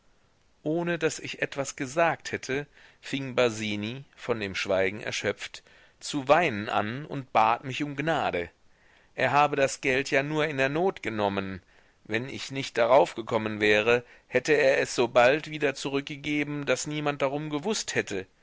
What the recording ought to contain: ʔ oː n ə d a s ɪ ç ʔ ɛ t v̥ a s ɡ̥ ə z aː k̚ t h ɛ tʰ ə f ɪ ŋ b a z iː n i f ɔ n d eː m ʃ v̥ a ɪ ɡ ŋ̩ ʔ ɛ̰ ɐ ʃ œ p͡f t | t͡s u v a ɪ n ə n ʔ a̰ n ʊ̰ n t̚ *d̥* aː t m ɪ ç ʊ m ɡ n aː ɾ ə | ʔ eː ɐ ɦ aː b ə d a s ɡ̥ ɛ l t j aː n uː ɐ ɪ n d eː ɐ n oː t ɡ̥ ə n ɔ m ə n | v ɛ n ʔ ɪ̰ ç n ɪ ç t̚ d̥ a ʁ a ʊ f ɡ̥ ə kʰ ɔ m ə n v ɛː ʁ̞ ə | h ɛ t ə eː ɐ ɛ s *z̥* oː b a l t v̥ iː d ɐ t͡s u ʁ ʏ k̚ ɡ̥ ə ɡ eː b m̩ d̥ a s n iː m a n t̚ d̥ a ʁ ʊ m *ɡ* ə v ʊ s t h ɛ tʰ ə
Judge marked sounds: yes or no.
no, yes, yes

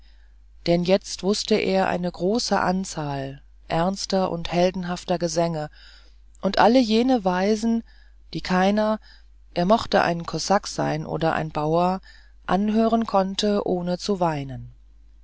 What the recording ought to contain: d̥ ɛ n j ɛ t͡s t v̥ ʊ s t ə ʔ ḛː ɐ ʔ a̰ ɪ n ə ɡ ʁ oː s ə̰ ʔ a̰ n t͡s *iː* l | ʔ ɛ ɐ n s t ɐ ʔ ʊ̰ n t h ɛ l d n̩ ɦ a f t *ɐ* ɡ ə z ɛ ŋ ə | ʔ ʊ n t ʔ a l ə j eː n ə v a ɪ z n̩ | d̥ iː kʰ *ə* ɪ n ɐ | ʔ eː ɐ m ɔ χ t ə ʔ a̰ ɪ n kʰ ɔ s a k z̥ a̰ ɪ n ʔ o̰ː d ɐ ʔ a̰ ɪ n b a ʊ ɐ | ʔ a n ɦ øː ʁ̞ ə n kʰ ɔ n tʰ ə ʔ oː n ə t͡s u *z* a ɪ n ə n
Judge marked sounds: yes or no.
no, yes, no, no

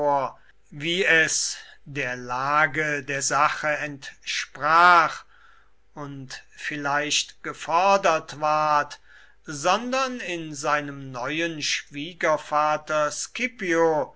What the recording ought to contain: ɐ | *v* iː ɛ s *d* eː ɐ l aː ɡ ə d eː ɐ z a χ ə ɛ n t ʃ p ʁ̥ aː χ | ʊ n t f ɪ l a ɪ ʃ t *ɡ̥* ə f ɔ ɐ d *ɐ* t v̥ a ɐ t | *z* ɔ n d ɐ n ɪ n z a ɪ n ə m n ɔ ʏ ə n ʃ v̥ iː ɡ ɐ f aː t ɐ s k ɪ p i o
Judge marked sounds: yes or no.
yes, yes, yes, yes, yes

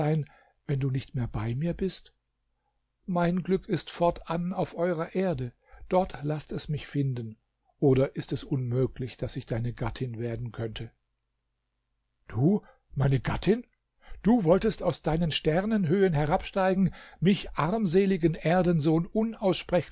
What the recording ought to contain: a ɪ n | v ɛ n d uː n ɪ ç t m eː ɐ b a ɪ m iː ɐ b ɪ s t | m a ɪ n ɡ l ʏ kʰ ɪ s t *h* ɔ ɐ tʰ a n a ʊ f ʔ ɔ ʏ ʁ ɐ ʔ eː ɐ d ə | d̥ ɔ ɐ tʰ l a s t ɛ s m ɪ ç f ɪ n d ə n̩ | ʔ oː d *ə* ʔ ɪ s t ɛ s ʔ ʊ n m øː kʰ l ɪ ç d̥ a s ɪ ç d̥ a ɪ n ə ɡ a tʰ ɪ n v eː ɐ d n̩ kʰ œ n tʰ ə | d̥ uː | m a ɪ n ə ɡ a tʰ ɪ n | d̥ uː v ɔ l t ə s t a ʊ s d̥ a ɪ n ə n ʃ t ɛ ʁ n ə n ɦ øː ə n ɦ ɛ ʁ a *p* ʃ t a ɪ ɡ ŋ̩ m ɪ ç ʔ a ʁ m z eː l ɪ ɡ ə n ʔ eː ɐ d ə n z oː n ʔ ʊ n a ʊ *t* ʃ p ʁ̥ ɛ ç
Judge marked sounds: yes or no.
no, no, yes, no

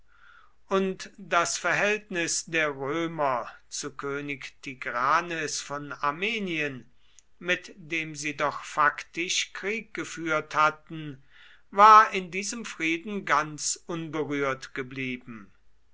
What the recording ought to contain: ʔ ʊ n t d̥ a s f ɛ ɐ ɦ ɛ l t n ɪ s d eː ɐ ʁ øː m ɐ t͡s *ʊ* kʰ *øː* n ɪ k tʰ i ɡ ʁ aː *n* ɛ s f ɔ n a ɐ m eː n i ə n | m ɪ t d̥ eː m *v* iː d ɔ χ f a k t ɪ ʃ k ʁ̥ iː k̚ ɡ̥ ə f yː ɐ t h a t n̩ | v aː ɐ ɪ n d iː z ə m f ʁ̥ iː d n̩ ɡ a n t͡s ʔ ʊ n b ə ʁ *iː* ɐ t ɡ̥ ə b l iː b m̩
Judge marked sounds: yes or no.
no, yes, yes, no, no

